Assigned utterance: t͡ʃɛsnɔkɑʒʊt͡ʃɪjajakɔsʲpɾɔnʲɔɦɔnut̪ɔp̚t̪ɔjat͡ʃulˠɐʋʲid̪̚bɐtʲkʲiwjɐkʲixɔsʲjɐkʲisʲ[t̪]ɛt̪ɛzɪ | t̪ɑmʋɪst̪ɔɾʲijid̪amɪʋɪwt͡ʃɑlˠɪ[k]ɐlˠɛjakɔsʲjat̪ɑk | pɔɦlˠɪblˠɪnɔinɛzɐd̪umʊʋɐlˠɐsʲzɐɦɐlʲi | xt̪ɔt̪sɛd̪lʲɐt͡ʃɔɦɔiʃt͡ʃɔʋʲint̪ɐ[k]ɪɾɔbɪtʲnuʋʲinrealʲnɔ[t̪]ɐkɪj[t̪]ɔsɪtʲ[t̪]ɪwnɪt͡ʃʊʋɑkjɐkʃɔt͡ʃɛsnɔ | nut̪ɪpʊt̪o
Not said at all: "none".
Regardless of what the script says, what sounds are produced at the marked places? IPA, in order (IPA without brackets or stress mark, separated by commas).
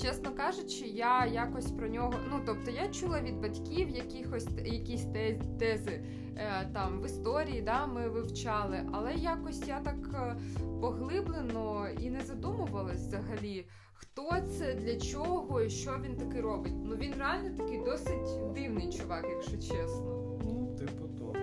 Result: t̪, ʔ, k, t̪, d̪, d̪